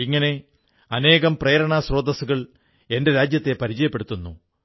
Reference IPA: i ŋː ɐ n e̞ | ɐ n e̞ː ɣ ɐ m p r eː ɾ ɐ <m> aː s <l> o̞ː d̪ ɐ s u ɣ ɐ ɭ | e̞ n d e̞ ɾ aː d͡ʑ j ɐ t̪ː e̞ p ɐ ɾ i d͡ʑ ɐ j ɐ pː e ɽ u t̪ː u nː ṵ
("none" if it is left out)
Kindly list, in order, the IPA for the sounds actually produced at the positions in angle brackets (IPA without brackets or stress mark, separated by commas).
ɳ, r